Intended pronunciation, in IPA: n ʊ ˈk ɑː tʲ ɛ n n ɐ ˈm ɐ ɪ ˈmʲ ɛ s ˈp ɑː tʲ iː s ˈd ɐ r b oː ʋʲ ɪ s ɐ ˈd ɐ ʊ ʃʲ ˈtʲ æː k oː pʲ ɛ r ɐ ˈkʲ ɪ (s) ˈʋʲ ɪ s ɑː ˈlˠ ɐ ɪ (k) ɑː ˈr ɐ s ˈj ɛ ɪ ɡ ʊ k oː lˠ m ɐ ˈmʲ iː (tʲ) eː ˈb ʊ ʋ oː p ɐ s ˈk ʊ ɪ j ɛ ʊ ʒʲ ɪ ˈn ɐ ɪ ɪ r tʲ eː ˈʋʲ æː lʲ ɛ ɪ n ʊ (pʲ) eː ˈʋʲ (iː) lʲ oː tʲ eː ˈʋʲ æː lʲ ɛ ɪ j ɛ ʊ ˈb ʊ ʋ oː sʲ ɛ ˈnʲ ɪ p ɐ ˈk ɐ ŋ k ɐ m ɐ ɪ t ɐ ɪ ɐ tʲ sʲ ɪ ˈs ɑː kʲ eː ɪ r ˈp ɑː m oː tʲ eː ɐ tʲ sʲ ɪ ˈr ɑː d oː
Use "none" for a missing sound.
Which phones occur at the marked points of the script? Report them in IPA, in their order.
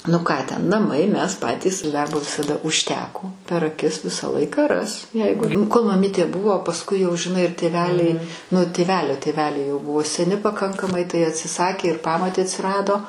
s, k, tʲ, tʲ, æː

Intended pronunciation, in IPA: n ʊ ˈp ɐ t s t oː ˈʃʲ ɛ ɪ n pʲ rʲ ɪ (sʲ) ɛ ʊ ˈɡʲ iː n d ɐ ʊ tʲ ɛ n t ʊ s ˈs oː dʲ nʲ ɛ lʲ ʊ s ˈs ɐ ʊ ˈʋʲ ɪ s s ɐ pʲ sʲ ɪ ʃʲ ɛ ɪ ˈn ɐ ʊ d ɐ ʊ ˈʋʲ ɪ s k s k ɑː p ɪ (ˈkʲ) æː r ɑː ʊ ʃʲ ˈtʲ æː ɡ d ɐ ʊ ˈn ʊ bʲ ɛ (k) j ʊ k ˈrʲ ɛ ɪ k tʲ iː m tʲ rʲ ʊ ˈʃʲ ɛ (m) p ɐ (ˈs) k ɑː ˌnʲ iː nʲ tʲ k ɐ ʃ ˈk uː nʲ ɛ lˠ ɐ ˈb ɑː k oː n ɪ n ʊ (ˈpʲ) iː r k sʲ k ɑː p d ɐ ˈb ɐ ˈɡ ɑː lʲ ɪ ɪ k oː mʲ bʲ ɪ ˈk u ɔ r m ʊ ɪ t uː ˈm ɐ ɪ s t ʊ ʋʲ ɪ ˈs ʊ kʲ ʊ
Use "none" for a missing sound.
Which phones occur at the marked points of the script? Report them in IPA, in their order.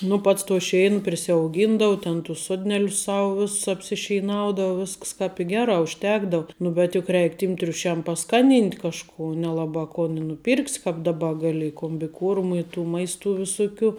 sʲ, ɡʲ, t, m, s, pʲ

